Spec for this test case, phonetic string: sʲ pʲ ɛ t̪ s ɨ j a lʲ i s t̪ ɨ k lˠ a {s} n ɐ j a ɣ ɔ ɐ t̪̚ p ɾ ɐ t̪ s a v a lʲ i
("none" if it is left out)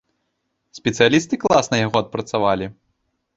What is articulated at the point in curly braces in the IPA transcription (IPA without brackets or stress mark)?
s